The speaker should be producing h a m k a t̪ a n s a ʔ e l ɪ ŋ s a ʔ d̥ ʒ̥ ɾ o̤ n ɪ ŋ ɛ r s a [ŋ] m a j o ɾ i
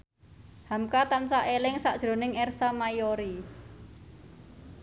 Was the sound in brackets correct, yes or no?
no